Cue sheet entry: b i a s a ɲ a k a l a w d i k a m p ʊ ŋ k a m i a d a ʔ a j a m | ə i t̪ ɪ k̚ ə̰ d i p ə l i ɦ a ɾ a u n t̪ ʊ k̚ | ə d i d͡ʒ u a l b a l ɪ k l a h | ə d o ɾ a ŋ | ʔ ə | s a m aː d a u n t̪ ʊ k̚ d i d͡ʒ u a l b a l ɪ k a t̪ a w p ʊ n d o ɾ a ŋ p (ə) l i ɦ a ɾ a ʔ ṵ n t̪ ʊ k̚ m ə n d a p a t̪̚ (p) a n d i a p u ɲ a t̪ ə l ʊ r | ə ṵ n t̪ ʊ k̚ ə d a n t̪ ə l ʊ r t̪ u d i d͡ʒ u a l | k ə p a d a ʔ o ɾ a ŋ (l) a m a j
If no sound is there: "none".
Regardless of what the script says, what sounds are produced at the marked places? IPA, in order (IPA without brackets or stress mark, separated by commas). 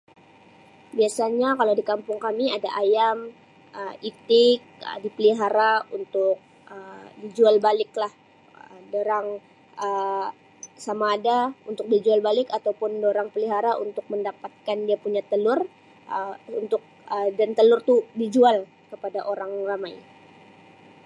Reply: ə, k, r